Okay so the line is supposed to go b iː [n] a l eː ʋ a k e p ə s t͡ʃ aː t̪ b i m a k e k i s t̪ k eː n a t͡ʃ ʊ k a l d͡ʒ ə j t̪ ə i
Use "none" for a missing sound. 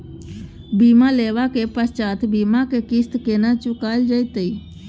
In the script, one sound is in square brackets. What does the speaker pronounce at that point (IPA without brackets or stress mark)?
m